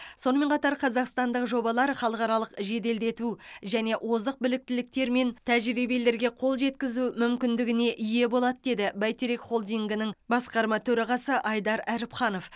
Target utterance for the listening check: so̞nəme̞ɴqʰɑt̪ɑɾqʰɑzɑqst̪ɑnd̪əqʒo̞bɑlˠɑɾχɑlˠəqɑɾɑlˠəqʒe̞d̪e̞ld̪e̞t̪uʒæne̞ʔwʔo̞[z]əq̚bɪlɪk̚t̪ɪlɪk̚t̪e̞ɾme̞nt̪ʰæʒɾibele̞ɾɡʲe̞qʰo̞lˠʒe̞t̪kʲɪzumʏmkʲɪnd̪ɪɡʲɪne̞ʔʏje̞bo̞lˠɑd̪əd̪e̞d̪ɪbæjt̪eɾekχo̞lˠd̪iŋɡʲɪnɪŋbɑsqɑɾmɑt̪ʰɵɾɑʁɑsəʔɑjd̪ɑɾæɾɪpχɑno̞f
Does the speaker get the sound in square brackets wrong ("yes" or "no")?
no